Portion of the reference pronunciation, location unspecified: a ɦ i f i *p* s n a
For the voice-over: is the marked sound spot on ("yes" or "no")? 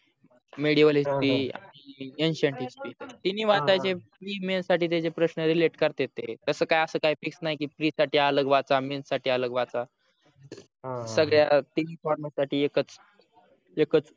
no